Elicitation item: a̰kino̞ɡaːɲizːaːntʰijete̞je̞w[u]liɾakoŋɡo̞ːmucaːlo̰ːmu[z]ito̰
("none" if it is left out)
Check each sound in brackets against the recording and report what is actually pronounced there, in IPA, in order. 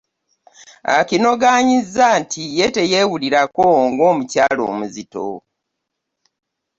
u, z

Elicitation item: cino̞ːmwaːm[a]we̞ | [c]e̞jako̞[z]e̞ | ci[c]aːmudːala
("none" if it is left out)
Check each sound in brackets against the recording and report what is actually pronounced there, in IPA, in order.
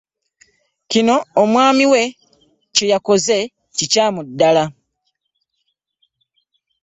i, c, z, c

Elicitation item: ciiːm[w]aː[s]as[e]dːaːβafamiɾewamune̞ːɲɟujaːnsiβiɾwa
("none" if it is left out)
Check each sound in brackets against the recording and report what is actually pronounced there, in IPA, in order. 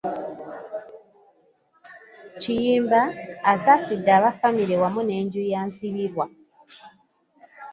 b, s, i

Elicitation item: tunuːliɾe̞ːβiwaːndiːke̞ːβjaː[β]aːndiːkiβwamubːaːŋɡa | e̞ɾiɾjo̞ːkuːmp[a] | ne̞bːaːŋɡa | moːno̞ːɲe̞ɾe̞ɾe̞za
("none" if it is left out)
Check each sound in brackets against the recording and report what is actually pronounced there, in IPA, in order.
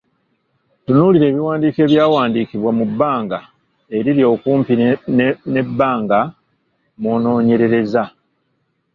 w, i

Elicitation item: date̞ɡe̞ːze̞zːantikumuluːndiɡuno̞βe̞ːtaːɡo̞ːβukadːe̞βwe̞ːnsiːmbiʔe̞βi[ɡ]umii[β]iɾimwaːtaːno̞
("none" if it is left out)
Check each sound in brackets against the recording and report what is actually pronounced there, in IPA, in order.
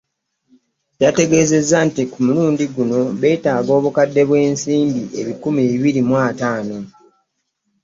k, β

